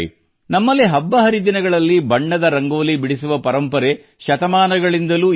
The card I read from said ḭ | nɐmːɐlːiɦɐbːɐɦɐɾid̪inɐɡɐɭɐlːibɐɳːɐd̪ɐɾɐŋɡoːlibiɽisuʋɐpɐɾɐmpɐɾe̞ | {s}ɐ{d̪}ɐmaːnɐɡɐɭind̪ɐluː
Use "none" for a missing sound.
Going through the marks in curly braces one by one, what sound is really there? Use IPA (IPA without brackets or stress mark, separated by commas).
ʃ, t̪